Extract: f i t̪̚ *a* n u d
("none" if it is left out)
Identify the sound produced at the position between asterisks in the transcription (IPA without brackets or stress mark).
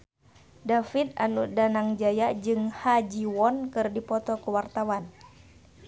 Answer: a